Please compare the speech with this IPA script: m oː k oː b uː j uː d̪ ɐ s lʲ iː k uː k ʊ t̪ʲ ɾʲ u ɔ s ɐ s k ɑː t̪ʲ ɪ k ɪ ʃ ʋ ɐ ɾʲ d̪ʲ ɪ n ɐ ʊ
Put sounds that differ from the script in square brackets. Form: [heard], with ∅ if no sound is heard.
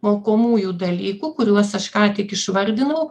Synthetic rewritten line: m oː k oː [m] uː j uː d̪ ɐ [∅] lʲ iː k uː k ʊ [∅] ɾʲ u ɔ s ɐ [ʃ] k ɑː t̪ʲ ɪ k ɪ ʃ ʋ ɐ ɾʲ d̪ʲ ɪ n ɐ ʊ